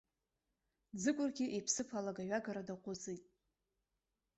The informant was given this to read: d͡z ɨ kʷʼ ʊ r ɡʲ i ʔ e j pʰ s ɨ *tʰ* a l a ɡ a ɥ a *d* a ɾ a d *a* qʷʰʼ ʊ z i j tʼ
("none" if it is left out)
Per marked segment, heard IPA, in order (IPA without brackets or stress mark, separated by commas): pʰ, ɡ, a